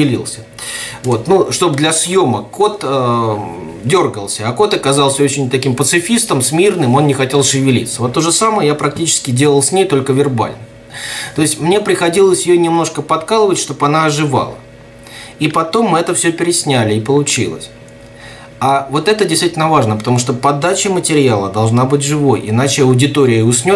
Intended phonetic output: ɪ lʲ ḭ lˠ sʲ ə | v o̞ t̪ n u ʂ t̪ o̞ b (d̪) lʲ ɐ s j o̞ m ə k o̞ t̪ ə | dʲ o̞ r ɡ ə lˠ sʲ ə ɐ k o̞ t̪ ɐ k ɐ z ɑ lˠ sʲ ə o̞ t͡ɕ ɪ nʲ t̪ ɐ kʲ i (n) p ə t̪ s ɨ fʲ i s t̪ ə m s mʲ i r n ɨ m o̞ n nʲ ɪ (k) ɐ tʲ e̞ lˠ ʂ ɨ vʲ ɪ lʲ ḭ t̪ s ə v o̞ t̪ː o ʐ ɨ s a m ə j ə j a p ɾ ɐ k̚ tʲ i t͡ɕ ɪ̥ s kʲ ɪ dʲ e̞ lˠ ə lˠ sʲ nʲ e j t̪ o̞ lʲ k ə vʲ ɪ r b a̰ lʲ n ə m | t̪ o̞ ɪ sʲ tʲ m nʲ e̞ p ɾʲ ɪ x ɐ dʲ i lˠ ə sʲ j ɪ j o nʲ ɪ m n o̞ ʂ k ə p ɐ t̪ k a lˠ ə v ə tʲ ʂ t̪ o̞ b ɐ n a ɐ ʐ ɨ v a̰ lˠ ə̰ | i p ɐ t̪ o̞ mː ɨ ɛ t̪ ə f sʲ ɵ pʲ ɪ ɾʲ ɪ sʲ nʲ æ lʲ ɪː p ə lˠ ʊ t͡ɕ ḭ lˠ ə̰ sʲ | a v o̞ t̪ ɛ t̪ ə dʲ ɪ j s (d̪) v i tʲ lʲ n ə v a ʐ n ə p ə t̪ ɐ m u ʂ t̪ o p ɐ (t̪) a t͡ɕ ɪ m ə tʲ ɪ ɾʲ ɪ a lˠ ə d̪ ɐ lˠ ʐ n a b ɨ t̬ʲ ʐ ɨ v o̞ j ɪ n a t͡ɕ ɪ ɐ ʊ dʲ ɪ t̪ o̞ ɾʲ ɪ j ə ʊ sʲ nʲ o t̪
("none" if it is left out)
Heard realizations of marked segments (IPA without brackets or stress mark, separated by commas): d̪, m, x, t̪, d̪